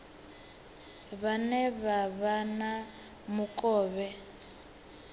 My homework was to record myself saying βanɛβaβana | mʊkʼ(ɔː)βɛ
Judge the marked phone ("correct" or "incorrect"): correct